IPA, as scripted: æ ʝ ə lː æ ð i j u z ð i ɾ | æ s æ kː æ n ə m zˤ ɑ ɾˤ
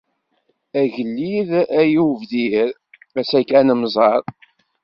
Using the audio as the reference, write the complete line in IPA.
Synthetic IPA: æ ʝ ə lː i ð æ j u v ð i ɾ | æ s æ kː æ n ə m zˤ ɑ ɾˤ